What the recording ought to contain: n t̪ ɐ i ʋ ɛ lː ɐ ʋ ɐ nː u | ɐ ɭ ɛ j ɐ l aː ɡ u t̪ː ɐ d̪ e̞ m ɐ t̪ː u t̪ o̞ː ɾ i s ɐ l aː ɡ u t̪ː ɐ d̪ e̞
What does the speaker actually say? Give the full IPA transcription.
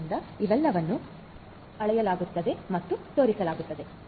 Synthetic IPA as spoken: n d̪ ɐ i ʋ ɛ lː ɐ ʋ ɐ nː u | ɐ ɭ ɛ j ɐ l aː ɡ u t̪ː ɐ d̪ e̞ m ɐ t̪ː u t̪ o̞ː ɾ i s ɐ l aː ɡ u t̪ː ɐ d̪ e̞